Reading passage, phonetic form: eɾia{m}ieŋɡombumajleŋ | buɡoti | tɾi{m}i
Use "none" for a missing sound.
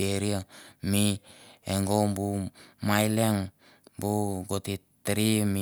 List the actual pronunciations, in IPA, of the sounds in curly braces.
m, m

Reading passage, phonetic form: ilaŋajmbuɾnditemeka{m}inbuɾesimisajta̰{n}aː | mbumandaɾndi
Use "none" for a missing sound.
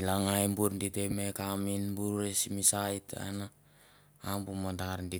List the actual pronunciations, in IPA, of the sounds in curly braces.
m, n

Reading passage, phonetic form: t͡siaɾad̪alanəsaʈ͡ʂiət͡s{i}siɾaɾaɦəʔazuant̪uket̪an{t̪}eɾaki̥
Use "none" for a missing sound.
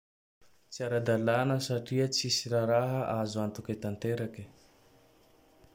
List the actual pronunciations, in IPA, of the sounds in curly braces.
i, t̪

